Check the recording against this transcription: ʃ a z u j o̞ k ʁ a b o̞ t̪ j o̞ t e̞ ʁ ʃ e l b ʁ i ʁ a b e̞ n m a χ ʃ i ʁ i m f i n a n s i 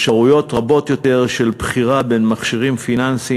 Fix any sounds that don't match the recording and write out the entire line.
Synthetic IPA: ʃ a ʁ u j o̞ t ʁ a b o̞ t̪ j o̞ t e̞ ʁ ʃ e l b χ i ʁ a b e̞ n m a χ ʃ i ʁ i m f i n a n s i